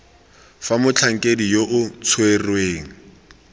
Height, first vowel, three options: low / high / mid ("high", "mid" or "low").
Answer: low